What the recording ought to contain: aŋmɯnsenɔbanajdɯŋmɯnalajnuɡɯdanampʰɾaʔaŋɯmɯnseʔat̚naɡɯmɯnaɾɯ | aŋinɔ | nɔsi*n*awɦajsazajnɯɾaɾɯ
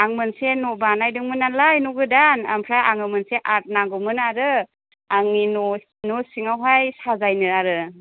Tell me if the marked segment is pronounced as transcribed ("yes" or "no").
no